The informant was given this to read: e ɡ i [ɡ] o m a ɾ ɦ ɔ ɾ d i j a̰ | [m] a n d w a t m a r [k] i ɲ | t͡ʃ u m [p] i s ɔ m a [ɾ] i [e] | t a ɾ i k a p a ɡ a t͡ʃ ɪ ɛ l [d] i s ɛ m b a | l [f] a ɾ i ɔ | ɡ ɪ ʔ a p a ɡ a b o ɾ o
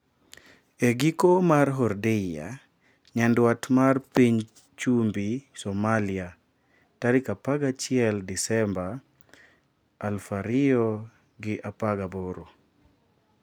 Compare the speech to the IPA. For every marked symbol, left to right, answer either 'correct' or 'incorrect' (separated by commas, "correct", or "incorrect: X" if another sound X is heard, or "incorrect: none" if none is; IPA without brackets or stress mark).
incorrect: k, incorrect: ɲ, incorrect: p, incorrect: b, incorrect: l, incorrect: a, correct, correct